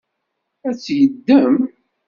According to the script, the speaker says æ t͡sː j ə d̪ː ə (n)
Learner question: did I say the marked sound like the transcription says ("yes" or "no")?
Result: no